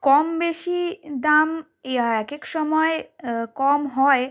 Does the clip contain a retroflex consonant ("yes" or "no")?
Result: no